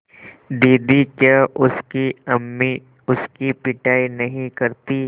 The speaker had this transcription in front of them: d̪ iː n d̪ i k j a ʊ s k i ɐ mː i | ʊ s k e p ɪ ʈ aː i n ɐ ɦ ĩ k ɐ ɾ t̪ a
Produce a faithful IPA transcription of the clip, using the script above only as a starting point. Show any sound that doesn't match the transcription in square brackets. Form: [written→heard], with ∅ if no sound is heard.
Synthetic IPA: d̪ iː [n→∅] d̪ i k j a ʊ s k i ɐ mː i | ʊ s k [e→i] p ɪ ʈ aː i n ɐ ɦ ĩ k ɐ ɾ t̪ [a→i]